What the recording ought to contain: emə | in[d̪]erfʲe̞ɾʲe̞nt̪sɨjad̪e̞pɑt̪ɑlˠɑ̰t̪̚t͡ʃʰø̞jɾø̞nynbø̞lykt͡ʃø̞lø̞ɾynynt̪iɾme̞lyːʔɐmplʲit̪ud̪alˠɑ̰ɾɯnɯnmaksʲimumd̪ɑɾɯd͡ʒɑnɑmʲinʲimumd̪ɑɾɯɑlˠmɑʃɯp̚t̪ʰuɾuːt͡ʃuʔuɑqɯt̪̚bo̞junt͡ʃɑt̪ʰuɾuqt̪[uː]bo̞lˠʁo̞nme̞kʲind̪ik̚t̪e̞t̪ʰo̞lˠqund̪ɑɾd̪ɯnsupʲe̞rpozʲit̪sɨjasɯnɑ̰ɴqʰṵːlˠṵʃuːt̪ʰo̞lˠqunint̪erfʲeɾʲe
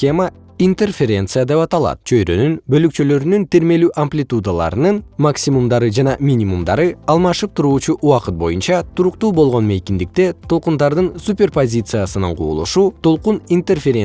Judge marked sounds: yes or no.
no, yes

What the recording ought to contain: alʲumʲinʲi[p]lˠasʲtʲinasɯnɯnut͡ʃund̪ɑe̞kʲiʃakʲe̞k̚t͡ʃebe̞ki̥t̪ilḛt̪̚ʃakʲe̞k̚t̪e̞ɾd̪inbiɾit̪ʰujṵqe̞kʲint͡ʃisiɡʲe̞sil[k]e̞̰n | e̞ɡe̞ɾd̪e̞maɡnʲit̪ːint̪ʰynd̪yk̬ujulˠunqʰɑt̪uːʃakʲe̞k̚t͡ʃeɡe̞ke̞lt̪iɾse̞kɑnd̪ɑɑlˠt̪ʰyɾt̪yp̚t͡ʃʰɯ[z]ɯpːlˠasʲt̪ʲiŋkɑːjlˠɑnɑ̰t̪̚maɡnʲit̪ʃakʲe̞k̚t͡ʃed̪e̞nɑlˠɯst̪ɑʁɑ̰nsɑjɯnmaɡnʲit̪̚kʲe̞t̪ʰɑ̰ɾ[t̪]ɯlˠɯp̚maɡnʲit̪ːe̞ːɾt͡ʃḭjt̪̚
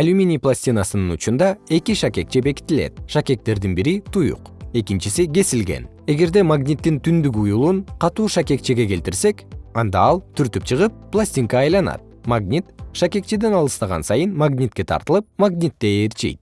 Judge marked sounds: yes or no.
yes, no, no, yes

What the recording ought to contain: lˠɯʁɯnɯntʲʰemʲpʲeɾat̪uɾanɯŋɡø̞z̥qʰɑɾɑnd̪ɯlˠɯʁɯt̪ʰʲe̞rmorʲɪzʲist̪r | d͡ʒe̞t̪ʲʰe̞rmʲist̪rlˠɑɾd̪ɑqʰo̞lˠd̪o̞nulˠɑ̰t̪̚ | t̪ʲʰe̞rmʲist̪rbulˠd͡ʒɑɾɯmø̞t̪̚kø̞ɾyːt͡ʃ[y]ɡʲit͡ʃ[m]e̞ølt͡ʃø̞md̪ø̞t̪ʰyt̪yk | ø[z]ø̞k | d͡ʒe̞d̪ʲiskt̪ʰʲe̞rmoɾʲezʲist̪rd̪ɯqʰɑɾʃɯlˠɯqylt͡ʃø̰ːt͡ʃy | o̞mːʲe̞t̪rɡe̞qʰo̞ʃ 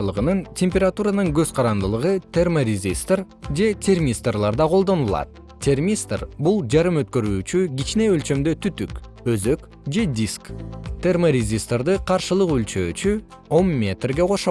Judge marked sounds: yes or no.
yes, no, yes

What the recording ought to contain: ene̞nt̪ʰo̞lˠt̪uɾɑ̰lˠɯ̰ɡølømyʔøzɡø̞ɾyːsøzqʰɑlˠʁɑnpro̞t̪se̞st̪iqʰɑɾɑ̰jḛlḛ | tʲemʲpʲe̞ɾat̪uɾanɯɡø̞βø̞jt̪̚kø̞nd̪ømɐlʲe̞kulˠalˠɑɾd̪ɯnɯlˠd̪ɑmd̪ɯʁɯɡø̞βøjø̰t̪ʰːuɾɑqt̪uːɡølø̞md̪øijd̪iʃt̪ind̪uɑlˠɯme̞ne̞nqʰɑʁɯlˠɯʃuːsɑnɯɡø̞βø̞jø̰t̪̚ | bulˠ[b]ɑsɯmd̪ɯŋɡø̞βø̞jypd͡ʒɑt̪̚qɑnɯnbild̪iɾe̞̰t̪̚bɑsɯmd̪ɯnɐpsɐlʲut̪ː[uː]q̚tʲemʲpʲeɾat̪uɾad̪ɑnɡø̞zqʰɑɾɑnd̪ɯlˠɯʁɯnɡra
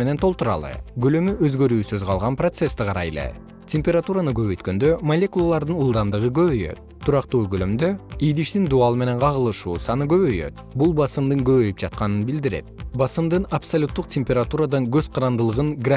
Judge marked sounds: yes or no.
yes, no

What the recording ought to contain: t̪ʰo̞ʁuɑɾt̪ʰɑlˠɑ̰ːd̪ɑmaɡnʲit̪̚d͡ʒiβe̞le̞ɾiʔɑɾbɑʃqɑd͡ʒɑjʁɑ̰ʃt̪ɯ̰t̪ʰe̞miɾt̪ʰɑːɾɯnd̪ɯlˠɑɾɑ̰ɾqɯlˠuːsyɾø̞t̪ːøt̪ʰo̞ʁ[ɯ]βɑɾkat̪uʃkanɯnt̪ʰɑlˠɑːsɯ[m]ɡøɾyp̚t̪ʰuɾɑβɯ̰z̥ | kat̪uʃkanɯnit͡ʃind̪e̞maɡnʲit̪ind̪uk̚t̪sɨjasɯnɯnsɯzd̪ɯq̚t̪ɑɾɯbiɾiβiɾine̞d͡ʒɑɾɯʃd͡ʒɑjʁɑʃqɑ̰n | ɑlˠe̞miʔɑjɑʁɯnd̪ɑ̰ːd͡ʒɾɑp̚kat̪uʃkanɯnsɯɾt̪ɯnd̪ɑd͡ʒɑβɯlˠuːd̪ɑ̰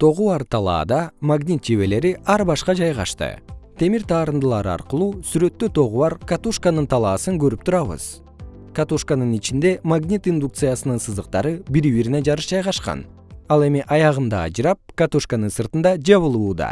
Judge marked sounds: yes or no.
no, no

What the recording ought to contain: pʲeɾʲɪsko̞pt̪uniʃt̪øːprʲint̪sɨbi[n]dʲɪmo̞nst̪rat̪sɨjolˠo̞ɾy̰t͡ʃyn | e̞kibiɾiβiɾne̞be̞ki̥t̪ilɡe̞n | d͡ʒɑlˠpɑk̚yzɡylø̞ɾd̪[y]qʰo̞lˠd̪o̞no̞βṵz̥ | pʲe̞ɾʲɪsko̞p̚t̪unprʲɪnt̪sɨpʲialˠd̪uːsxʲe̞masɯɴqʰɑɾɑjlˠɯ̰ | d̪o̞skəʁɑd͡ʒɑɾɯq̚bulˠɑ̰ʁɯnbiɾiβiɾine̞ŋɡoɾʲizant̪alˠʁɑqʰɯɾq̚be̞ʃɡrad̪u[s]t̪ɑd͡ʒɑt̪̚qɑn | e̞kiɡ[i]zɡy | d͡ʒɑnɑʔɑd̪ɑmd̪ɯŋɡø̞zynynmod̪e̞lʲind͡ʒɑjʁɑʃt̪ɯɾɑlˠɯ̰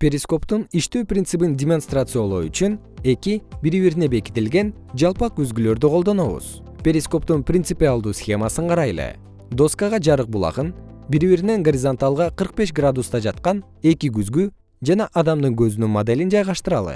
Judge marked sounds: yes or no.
yes, yes, yes, no

